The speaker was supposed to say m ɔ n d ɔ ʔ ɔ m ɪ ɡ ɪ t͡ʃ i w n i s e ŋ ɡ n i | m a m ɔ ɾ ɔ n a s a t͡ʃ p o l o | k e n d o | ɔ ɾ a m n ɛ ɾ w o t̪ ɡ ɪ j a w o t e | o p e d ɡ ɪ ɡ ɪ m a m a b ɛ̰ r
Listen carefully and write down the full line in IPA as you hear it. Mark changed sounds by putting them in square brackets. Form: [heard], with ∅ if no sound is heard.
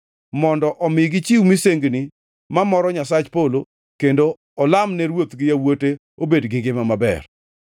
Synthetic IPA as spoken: m ɔ n d ɔ ʔ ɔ m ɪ ɡ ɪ t͡ʃ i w [m] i s e ŋ ɡ n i | m a m ɔ ɾ ɔ [ɲ] a s a t͡ʃ p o l o | k e n d o | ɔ [l] a m n ɛ ɾ w o t̪ ɡ ɪ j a w o t e | o [b] e d ɡ ɪ ɡ ɪ m a m a b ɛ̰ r